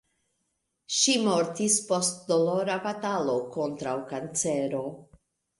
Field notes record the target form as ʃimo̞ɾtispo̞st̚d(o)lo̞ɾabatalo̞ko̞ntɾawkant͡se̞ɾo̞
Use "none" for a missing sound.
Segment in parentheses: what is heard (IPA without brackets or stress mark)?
o